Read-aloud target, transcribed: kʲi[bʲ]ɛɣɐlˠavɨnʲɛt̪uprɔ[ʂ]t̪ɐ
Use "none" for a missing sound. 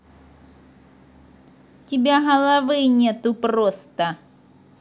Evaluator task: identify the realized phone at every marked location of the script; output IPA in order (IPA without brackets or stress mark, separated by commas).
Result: bʲ, s